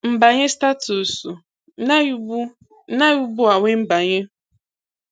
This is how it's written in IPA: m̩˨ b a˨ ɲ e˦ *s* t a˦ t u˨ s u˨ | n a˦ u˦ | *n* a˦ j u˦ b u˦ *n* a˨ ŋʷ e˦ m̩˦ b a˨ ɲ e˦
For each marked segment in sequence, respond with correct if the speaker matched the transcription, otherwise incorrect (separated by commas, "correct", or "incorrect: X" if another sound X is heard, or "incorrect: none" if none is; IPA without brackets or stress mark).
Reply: correct, correct, incorrect: none